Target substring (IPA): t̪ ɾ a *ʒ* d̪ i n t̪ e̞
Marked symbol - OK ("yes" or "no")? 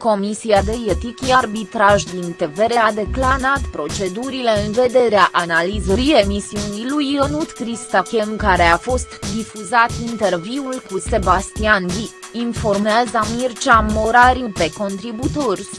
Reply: yes